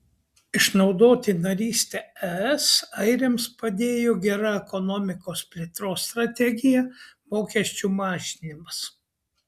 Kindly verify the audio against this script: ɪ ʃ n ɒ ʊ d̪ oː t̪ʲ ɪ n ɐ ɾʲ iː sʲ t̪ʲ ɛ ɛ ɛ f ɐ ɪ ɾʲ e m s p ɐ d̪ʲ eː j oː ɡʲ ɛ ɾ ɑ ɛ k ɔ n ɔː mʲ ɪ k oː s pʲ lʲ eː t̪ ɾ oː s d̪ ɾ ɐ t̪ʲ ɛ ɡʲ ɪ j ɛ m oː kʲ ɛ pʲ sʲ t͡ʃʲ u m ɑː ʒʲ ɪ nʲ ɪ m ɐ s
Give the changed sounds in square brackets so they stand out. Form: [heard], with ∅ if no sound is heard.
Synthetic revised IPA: ɪ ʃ n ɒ ʊ d̪ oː t̪ʲ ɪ n ɐ ɾʲ iː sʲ t̪ʲ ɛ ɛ ɛ [s] ɐ ɪ ɾʲ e m s p ɐ d̪ʲ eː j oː ɡʲ ɛ ɾ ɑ ɛ k ɔ n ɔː mʲ ɪ k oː s pʲ lʲ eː t̪ ɾ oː s [t̪] ɾ ɐ t̪ʲ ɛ ɡʲ ɪ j ɛ m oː kʲ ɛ [∅] sʲ t͡ʃʲ u m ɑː ʒʲ ɪ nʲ ɪ m ɐ s